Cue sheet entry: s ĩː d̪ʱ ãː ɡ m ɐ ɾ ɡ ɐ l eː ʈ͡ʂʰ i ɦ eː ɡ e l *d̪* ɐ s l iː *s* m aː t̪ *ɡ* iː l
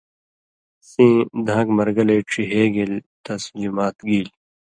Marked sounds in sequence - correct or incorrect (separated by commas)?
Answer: incorrect, incorrect, correct